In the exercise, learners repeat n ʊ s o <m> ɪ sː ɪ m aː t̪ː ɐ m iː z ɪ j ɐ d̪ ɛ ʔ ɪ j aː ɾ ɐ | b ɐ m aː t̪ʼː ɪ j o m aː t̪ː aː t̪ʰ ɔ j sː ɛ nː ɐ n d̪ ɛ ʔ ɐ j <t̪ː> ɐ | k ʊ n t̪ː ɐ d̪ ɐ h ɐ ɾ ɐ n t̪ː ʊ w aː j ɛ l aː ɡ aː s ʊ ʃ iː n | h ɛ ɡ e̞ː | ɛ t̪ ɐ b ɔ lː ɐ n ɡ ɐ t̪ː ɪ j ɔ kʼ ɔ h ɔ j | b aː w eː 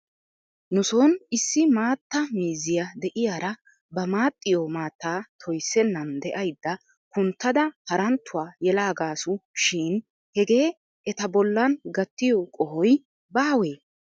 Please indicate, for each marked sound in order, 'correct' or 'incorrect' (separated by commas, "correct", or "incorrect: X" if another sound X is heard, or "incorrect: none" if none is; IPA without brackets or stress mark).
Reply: incorrect: n, incorrect: d̪ː